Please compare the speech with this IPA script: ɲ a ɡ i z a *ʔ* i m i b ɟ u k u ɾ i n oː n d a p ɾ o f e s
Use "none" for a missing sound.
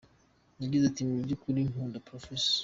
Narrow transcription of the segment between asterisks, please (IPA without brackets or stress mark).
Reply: t